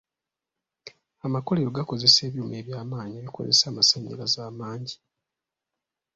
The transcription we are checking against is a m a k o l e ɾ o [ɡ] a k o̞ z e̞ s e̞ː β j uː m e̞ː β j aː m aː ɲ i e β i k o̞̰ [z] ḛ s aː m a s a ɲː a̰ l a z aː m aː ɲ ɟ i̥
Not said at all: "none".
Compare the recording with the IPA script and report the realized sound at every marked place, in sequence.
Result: ɡ, z

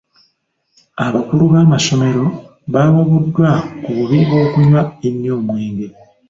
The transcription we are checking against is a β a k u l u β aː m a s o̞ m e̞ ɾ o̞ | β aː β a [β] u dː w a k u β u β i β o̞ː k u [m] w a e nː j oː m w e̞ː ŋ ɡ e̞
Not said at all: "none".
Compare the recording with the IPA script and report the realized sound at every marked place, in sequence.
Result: β, ɲ

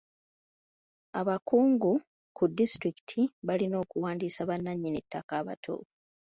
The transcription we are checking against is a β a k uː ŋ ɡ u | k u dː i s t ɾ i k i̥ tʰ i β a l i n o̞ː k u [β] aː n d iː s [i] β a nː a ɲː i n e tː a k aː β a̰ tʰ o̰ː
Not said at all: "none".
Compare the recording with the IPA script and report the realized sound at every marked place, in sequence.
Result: w, a

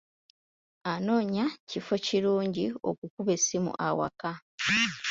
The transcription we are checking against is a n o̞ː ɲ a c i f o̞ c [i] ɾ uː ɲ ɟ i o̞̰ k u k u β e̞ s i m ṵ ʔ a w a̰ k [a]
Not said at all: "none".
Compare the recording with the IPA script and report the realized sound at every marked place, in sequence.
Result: i, a

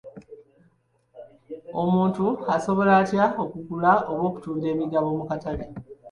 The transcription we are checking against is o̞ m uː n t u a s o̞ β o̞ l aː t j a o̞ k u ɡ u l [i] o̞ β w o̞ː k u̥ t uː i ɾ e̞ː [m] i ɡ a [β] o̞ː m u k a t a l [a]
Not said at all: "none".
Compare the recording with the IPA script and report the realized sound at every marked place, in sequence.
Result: a, m, β, e

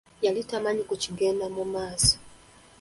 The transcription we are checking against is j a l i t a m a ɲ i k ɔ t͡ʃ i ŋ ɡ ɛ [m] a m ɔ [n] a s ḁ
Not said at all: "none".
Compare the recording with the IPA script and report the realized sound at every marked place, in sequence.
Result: n, m

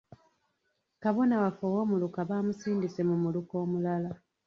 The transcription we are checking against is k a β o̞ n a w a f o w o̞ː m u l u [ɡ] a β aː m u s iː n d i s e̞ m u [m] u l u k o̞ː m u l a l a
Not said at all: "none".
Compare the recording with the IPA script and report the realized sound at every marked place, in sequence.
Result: k, m

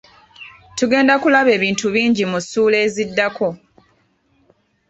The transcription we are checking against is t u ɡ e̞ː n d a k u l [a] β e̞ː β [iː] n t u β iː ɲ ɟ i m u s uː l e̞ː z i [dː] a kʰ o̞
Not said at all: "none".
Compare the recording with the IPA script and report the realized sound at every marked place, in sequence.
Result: a, iː, dː

